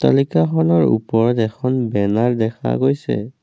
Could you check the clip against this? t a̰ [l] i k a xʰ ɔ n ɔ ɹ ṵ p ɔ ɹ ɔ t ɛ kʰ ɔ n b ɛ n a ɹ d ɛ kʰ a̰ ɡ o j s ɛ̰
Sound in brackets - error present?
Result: no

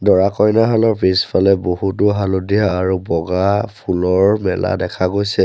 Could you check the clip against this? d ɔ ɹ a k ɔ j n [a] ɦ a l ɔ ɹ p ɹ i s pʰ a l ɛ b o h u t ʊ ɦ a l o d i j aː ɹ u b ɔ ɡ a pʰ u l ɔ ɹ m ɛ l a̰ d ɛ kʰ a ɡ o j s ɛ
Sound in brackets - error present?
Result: no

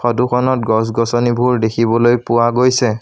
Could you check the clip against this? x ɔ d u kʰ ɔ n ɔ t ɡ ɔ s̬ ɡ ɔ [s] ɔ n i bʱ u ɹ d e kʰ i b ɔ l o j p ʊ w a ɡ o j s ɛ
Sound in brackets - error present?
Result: no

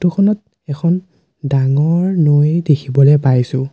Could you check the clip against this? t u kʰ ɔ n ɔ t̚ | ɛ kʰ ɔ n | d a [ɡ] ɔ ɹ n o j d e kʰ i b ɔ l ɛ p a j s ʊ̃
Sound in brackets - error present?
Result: yes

